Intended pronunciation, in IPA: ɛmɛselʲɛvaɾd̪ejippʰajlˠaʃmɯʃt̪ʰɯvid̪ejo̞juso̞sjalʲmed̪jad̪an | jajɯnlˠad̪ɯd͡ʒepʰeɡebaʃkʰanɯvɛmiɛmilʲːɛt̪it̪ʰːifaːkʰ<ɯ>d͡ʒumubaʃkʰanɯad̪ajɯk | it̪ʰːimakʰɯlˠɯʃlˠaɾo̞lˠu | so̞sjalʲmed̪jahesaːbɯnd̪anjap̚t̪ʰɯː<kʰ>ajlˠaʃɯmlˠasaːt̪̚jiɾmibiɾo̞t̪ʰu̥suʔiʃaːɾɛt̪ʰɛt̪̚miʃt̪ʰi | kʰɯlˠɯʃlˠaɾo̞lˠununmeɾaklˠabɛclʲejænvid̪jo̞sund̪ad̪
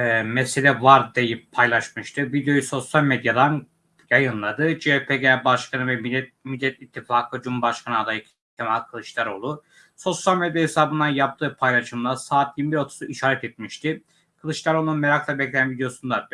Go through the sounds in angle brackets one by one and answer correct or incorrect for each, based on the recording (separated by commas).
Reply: correct, incorrect